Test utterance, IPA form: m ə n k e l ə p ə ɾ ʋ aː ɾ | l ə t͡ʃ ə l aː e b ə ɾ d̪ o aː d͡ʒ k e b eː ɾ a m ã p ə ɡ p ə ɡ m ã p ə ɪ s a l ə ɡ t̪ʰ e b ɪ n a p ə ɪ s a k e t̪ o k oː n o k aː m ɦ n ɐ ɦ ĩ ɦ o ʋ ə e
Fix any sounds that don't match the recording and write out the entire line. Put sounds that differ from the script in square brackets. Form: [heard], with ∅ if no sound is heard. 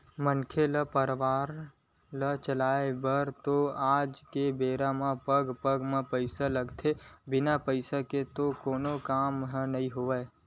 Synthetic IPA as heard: m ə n [kʰ] e l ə p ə ɾ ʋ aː ɾ | l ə t͡ʃ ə l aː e b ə ɾ [t̪] o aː d͡ʒ k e b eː ɾ a m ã p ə ɡ p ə ɡ m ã p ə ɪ s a l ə ɡ t̪ʰ e b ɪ n a p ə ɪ s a k e t̪ o k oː n o k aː m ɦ n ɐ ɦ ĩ ɦ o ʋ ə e

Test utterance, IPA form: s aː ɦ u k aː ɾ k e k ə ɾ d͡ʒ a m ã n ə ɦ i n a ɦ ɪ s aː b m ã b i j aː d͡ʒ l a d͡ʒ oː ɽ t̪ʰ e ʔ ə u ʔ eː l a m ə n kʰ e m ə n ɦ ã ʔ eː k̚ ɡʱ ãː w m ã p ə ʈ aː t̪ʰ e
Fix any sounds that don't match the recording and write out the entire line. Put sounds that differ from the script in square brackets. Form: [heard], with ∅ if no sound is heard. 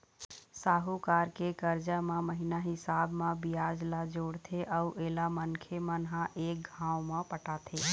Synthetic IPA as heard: s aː ɦ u k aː ɾ k e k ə ɾ d͡ʒ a m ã [m] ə ɦ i n a ɦ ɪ s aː b m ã b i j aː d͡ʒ l a d͡ʒ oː ɽ t̪ʰ e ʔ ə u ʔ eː l a m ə n kʰ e m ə n ɦ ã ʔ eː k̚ ɡʱ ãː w m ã p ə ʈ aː t̪ʰ e

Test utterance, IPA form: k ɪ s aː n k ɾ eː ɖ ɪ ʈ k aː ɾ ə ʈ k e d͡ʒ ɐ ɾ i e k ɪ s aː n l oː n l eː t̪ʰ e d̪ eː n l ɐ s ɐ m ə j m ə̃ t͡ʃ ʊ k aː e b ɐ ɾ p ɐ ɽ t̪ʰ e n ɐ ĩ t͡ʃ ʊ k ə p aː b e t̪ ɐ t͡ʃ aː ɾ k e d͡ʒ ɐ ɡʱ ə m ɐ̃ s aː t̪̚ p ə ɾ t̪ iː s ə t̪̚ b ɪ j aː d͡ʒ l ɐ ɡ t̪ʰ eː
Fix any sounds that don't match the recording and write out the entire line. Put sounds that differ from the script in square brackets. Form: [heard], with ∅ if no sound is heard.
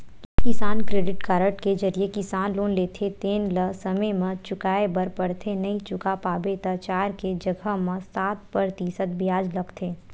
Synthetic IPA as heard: k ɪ s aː n k ɾ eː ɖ ɪ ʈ k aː ɾ ə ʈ k e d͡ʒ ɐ ɾ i e k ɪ s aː n l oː n l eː t̪ʰ e [t̪] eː n l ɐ s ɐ m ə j m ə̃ t͡ʃ ʊ k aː e b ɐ ɾ p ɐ ɽ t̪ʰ e n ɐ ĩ t͡ʃ ʊ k [a] p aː b e t̪ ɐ t͡ʃ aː ɾ k e d͡ʒ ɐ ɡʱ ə m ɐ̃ s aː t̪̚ p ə ɾ t̪ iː s ə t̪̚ b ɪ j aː d͡ʒ l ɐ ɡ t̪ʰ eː

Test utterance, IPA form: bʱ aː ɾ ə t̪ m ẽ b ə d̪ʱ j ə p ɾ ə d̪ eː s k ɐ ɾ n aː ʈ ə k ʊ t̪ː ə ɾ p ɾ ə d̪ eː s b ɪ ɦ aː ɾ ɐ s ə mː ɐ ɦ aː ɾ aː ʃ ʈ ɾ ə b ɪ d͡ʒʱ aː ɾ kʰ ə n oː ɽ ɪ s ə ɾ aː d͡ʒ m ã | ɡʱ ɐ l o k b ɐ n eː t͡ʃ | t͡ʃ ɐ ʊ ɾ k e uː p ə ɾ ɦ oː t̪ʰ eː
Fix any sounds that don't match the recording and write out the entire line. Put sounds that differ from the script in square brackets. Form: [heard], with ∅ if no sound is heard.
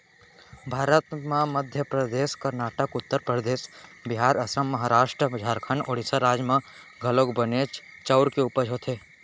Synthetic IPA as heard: bʱ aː ɾ ə t̪ m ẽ [m] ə d̪ʱ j ə p ɾ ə d̪ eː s k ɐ ɾ n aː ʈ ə k ʊ t̪ː ə ɾ p ɾ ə d̪ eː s b ɪ ɦ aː ɾ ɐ s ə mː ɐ ɦ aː ɾ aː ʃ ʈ ɾ ə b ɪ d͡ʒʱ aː ɾ kʰ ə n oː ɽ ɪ s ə ɾ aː d͡ʒ m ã | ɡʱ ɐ l o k b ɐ n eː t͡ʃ | t͡ʃ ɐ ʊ ɾ k e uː p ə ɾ ɦ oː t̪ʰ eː

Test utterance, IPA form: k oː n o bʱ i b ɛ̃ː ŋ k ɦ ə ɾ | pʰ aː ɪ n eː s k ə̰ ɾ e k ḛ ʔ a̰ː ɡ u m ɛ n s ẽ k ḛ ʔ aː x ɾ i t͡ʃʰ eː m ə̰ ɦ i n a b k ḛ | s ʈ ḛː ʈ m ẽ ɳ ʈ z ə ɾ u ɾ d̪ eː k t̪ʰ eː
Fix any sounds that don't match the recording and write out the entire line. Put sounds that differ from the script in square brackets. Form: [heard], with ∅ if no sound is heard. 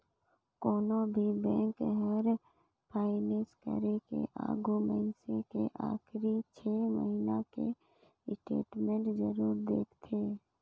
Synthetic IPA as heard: k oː n o bʱ i b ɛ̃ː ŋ k ɦ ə ɾ | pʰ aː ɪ n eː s k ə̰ ɾ e k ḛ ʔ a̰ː ɡ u m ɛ n s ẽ k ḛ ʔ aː x ɾ i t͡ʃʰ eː m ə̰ ɦ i n a [∅] k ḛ | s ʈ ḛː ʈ m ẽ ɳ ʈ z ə ɾ [uː] ɾ d̪ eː k t̪ʰ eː

